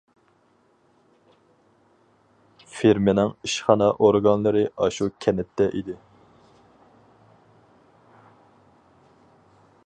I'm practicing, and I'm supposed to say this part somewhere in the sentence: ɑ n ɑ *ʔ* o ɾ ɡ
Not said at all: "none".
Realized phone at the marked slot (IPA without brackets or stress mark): ʔ